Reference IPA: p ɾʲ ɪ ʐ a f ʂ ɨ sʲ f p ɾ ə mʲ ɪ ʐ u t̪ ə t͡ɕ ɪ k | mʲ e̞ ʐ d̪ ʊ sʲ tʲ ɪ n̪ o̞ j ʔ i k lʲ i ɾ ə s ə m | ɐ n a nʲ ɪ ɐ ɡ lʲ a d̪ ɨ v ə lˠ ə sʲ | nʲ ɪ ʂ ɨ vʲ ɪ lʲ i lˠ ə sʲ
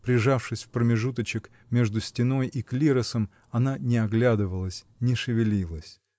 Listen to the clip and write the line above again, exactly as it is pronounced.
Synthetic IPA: p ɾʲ ɪ ʐ a f ʂ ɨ sʲ f p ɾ ə mʲ ɪ ʐ u t̪ ə t͡ɕ ɪ k | mʲ e̞ ʐ d̪ ʊ sʲ tʲ ɪ n̪ o̞ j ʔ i k lʲ i ɾ ə s ə m | ɐ n a nʲ ɪ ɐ ɡ lʲ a d̪ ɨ v ə lˠ ə sʲ | nʲ ɪ ʂ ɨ vʲ ɪ lʲ i lˠ ə sʲ